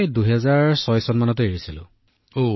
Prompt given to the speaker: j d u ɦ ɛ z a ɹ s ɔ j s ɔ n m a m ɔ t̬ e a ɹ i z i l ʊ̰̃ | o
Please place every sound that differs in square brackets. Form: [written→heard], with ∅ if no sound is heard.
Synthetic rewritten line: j d u ɦ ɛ z a ɹ s ɔ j s ɔ n m a [m→n] ɔ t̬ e [a→e] ɹ i [z→s] i l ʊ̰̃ | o

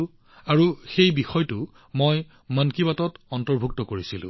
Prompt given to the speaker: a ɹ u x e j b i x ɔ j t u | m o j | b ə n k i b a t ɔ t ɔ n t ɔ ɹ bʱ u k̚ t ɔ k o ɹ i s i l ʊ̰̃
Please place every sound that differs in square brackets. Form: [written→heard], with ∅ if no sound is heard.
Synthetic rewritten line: a ɹ u x e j b i x ɔ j t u | m o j | [b→m] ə n k i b a t ɔ t ɔ n t ɔ ɹ bʱ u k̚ t ɔ k o ɹ i s i l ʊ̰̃

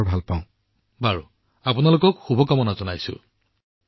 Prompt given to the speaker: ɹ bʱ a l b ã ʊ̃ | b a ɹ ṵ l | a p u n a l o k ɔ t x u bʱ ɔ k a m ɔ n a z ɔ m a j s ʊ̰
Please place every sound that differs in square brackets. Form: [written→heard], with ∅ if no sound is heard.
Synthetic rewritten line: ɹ bʱ a l [b→p] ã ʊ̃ | b a ɹ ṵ [l→∅] | a p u n a l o k ɔ [t→k] x u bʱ ɔ k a m ɔ n a z ɔ [m→n] a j s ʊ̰

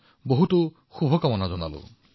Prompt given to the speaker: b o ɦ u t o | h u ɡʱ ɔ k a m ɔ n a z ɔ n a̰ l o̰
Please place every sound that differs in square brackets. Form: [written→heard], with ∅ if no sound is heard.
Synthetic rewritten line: b o ɦ u t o | [h→x] u [ɡʱ→bʱ] ɔ k a m ɔ n a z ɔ n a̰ l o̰

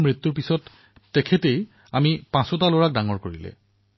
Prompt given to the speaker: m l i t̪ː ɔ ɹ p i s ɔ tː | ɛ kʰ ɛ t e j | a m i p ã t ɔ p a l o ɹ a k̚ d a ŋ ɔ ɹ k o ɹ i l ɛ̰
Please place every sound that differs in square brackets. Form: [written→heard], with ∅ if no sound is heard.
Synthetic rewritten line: m [l→ɹ] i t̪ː [ɔ→u] ɹ p i s ɔ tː | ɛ kʰ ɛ t e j | a m i p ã [t→s] ɔ [p→t] a l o ɹ a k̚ d a ŋ ɔ ɹ k o ɹ i l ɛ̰

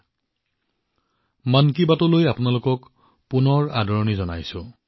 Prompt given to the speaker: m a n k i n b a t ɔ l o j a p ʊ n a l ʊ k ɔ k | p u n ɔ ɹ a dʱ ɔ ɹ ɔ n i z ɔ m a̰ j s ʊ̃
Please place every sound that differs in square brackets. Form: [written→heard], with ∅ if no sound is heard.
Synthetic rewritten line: m a n k i [n→∅] b a t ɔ l o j a p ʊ n a l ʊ k ɔ k | p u n ɔ ɹ a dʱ ɔ ɹ ɔ n i z ɔ [m→n] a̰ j s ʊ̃

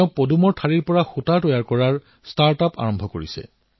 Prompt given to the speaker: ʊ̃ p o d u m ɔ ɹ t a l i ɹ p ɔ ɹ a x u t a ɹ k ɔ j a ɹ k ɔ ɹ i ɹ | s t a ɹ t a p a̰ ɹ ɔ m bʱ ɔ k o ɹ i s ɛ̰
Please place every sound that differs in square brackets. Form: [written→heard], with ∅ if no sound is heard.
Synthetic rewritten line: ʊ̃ p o d u m ɔ ɹ [t→tʰ] a [l→ɹ] i ɹ p ɔ ɹ a x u t a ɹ [k→t] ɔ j a ɹ k ɔ ɹ [i→a] ɹ | s t a ɹ t a p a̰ ɹ ɔ m bʱ ɔ k o ɹ i s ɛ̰

